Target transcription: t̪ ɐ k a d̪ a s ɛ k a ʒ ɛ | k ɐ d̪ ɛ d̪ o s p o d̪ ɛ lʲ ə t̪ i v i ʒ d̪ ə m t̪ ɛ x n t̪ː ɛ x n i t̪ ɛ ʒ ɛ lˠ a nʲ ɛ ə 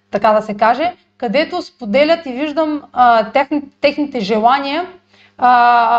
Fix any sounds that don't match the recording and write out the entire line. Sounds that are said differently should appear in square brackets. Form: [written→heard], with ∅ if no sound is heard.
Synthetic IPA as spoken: t̪ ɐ k a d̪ [a→ɐ] s ɛ k a ʒ ɛ | k ɐ d̪ ɛ [d̪→t̪] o s p o d̪ ɛ lʲ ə t̪ i v i ʒ d̪ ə m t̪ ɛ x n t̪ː ɛ x n i t̪ ɛ ʒ ɛ lˠ a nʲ [ɛ→i] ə